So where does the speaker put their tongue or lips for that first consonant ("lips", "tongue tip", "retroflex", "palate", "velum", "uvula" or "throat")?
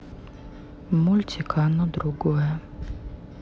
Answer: lips